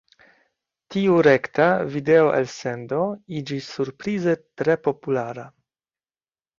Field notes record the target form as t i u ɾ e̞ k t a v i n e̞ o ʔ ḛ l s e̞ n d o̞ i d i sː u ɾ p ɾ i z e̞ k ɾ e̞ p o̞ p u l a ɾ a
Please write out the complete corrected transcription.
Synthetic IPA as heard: t i u ɾ e̞ k t a v i d e̞ o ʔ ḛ l s e̞ n d o̞ i d͡ʒ i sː u ɾ p ɾ i z e̞ t ɾ e̞ p o̞ p u l a ɾ a

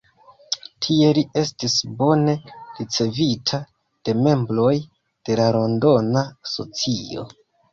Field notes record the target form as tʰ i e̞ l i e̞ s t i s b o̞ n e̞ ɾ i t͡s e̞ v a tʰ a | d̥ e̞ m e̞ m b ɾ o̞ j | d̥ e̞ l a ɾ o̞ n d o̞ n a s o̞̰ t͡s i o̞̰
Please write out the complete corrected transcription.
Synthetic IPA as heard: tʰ i e̞ l i e̞ s t i s b o̞ n e̞ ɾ i t͡s e̞ v i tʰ a | d̥ e̞ m e̞ m b ɾ o̞ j | d̥ e̞ l a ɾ o̞ n d o̞ n a s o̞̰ t͡s i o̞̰

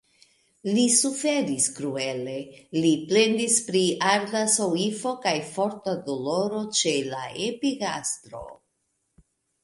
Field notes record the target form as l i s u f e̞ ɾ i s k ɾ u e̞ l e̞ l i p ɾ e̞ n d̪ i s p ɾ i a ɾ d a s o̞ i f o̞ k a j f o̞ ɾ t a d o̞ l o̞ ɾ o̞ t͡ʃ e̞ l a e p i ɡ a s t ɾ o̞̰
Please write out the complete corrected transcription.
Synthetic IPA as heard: l i s u f e̞ ɾ i s k ɾ u e̞ l e̞ l i p l e̞ n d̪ i s p ɾ i a ɾ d a s o̞ i f o̞ k a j f o̞ ɾ t a d o̞ l o̞ ɾ o̞ t͡ʃ e̞ l a e p i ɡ a s t ɾ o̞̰

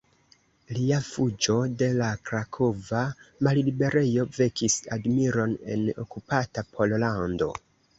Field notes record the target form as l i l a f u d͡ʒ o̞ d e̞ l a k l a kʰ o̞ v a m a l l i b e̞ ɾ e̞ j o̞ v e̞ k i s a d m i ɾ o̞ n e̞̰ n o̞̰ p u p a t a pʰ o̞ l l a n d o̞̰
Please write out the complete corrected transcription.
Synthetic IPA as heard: l i a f u d͡ʒ o̞ d e̞ l a k ɾ a kʰ o̞ v a m a l l i b e̞ ɾ e̞ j o̞ v e̞ k i s a d m i ɾ o̞ n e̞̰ n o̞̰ k u p a t a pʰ o̞ l l a n d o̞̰

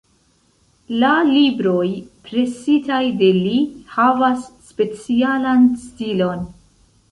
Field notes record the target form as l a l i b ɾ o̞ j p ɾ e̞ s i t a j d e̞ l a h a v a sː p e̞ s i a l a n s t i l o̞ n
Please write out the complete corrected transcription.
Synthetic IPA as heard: l a l i b ɾ o̞ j p ɾ e̞ s i t a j d e̞ l i h a v a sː p e̞ t͡s i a l a n s t i l o̞ n

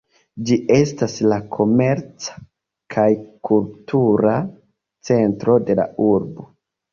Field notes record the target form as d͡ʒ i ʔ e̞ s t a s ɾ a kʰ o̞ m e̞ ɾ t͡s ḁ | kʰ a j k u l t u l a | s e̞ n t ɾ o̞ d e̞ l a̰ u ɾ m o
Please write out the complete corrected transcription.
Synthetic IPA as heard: d͡ʒ i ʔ e̞ s t a s l a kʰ o̞ m e̞ ɾ t͡s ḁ | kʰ a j k u l t u ɾ a | t͡s e̞ n t ɾ o̞ d e̞ l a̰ u ɾ b o

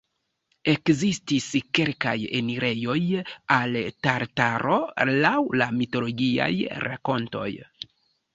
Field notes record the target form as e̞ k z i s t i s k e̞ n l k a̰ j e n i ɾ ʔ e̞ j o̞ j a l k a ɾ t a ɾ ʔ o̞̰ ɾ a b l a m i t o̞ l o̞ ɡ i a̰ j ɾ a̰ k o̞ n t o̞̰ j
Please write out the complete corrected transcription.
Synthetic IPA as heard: e̞ k z i s t i s k e̞ l k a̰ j e n i ɾ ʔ e̞ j o̞ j a l t a ɾ t a ɾ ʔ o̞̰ l a w l a m i t o̞ l o̞ ɡ i a̰ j ɾ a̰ k o̞ n t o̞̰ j

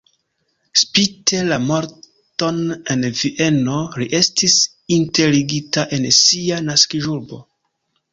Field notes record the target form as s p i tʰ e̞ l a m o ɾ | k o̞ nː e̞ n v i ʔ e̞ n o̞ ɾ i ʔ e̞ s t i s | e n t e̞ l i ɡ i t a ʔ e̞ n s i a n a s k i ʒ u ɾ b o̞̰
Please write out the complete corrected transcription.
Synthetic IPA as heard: s p i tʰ e̞ l a m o ɾ | t o̞ n e̞ n v i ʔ e̞ n o̞ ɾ i ʔ e̞ s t i s | i n t e̞ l i ɡ i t a ʔ e̞ n s i a n a s k i ʒ u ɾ b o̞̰

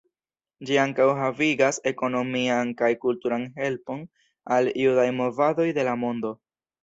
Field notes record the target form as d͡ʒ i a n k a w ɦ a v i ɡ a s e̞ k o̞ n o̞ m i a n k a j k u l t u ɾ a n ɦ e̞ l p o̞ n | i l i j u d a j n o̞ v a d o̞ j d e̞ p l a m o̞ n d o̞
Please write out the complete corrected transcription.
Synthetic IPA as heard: d͡ʒ i a ŋ k a w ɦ a v i ɡ a s e̞ k o̞ n o̞ m i a n k a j k u l t u ɾ a n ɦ e̞ l p o̞ n | a l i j u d a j m o̞ v a d o̞ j d e̞ l a m o̞ n d o̞

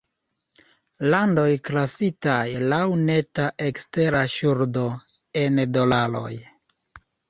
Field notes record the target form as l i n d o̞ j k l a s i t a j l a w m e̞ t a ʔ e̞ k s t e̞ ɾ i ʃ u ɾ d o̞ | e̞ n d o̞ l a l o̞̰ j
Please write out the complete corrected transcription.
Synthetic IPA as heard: l a n d o̞ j k l a s i t a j l a w n e̞ t a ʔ e̞ k s t e̞ ɾ a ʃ u ɾ d o̞ | e̞ n d o̞ l a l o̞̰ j

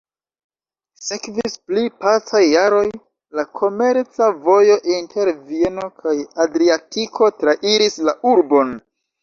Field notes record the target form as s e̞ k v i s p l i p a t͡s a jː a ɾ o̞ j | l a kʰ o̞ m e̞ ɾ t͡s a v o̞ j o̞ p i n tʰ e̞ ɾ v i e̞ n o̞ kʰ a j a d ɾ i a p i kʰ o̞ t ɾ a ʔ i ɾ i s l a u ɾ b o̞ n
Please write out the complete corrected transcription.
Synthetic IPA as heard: s e̞ k v i s p l i p a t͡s a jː a ɾ o̞ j | l a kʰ o̞ m e̞ ɾ t͡s a v o̞ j o̞ ʔ i n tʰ e̞ ɾ v i e̞ n o̞ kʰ a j a d ɾ i a t i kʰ o̞ t ɾ a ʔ i ɾ i s l a u ɾ b o̞ n

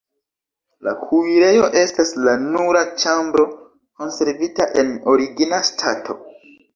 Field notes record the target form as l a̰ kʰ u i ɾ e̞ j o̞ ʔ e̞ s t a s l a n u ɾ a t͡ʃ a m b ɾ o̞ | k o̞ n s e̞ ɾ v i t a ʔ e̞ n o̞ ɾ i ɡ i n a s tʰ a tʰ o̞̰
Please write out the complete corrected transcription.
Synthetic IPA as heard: l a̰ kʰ u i ɾ e̞ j o̞ ʔ e̞ s t a s l a n u ɾ a t͡ʃ a m b ɾ o̞ | k o̞ n s e̞ ɾ v i t a ʔ e̞ n o̞ ɾ i ɡ i n a s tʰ a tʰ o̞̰

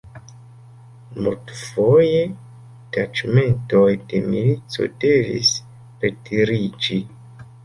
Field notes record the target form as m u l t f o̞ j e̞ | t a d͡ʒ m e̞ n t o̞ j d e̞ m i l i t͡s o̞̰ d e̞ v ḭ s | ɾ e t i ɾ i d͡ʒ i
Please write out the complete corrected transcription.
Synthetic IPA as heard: m u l t f o̞ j e̞ | t a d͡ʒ m e̞ n t o̞ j d e̞ m i l i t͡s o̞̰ d e̞ v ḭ s | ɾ e t i ɾ i d͡ʒ i

